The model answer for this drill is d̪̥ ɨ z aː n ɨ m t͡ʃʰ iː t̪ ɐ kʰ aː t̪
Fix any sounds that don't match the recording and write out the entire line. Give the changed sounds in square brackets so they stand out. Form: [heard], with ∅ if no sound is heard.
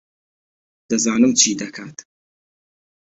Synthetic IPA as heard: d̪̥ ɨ z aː n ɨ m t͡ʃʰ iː [d̪] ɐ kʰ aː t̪